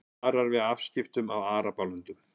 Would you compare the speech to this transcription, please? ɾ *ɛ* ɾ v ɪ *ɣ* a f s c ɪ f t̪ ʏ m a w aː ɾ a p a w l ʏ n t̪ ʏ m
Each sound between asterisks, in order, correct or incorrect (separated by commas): incorrect, incorrect